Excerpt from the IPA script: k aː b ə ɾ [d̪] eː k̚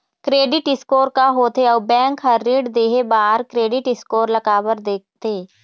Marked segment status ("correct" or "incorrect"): correct